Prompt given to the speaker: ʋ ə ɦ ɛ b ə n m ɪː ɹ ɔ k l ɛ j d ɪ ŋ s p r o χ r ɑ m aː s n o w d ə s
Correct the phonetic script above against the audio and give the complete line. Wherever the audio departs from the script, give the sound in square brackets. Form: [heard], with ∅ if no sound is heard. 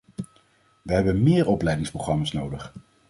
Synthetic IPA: ʋ ə ɦ ɛ b ə n m ɪː ɹ ɔ [p] l ɛ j d ɪ ŋ s p r o χ r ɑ m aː s n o w d ə [χ]